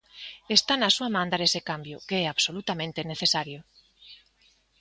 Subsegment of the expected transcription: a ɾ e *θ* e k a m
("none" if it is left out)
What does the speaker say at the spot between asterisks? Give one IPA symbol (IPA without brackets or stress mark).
s